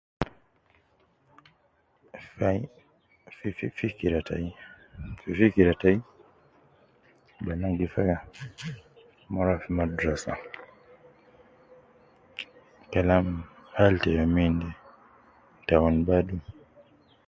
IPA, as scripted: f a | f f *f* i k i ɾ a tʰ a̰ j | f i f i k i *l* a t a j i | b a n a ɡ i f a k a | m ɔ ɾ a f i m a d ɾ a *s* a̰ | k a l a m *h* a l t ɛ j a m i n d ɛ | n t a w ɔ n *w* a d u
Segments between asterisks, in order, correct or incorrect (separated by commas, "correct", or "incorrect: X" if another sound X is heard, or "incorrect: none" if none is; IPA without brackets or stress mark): correct, incorrect: ɾ, correct, correct, incorrect: b